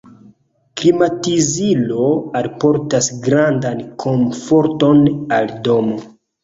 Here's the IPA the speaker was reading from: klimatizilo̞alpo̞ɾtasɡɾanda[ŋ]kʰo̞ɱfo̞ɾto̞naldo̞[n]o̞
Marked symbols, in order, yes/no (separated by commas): no, no